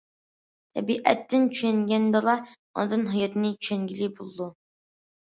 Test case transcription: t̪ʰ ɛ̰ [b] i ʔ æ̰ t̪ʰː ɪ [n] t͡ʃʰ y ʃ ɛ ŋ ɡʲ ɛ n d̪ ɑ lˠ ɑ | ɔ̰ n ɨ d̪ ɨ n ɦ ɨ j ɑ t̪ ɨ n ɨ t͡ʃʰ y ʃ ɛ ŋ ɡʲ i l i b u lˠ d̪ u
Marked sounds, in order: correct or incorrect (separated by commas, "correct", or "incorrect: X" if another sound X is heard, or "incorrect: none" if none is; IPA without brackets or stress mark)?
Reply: correct, correct